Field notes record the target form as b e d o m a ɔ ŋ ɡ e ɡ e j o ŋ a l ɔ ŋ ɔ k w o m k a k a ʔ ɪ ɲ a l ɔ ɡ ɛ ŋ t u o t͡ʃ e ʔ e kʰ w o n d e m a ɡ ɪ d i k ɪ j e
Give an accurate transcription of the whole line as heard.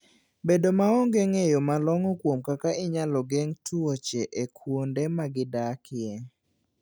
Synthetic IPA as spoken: b e d o m a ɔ ŋ ɡ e ŋ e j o m a l ɔ ŋ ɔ k w o m k a k a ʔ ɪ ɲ a l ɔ ɡ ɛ ŋ t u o t͡ʃ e ʔ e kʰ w o n d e m a ɡ ɪ d a k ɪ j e

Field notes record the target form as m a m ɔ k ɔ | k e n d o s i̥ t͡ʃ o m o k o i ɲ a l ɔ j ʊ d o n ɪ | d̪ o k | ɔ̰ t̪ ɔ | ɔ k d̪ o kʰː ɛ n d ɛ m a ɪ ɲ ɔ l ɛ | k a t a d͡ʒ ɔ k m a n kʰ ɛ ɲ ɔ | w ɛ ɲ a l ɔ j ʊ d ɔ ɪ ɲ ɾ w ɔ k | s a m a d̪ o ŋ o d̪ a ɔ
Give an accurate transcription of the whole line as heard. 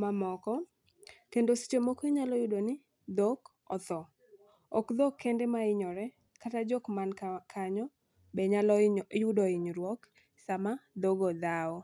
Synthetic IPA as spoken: m a m ɔ k ɔ | k e n d o s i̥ t͡ʃ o m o k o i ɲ a l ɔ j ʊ d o n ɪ | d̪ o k | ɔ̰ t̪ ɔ | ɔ k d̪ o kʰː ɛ n d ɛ m a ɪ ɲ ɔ ɾ ɛ | k a t a d͡ʒ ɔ k m a n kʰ a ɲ ɔ | b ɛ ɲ a l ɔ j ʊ d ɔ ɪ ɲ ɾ w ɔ k | s a m a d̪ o ɡ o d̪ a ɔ

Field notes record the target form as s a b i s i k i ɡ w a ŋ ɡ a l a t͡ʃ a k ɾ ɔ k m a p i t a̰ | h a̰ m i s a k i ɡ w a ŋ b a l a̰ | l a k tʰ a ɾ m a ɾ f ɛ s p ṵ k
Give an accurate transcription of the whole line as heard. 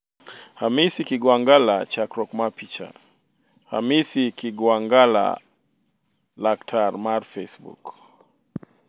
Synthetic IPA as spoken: h a m i s i k i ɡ w a ŋ ɡ a l a t͡ʃ a k ɾ ɔ k m a p i t͡ʃ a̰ | h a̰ m i s i k i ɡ w a ŋ ɡ a l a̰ | l a k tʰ a ɾ m a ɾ f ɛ s b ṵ k

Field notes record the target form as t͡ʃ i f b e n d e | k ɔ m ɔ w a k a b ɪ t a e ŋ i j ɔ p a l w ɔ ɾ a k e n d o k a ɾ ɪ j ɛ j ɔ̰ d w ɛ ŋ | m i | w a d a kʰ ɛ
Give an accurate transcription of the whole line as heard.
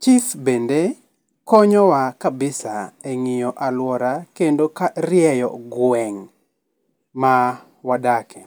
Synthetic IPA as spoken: t͡ʃ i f b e n d e | k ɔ ɲ ɔ w a k a b ɪ s a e ŋ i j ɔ ʔ a l w ɔ ɾ a k e n d o k a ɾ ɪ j ɛ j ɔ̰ ɡ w ɛ ŋ | m a | w a d a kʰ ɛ

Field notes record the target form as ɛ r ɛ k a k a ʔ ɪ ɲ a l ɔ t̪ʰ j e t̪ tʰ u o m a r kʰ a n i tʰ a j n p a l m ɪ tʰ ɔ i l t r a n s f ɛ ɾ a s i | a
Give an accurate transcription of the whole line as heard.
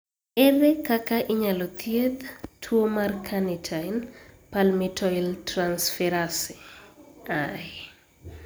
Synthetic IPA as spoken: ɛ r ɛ k a k a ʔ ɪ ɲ a l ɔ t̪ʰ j e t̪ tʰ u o m a r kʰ a n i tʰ a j n p a l m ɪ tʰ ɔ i l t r a n s f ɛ ɾ a s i | a

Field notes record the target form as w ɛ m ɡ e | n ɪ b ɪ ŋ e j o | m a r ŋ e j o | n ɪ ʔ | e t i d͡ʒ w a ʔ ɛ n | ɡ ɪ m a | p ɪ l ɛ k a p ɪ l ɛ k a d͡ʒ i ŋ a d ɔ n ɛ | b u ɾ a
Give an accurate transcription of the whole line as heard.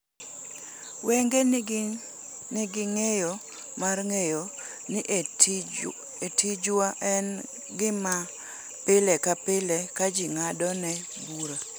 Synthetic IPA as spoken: w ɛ ŋ ɡ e | n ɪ ɡ ɪ ŋ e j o | m a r ŋ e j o | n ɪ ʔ | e t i d͡ʒ w a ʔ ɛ n | ɡ ɪ m a | p ɪ l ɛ k a p ɪ l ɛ k a d͡ʒ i ŋ a d ɔ n ɛ | b u ɾ a

